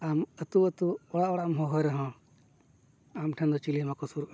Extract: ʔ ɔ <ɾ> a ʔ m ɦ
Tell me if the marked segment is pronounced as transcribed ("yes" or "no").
no